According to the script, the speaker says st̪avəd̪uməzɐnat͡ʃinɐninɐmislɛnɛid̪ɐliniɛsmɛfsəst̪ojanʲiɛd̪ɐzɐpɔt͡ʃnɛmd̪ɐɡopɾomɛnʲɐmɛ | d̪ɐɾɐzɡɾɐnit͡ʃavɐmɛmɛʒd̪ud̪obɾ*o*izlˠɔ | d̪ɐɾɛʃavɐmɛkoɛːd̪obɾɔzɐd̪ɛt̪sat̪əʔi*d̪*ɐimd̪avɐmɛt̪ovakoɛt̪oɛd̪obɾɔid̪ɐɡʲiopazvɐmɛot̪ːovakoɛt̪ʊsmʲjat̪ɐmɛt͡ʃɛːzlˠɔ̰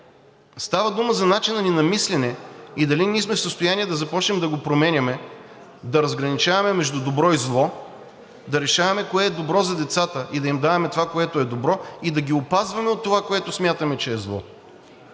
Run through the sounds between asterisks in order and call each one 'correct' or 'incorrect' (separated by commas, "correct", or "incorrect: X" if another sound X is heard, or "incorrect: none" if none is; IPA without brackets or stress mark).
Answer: incorrect: ɔ, correct